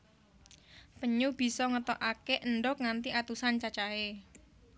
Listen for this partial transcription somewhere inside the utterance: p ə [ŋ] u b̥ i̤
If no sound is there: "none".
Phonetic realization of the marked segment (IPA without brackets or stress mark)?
ɲ